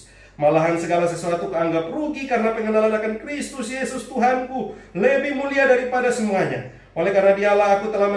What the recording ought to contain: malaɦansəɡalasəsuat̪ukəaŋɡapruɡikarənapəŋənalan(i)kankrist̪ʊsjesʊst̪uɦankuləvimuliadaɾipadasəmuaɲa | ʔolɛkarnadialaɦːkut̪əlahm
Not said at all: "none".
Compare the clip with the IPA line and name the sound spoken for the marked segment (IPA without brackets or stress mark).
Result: a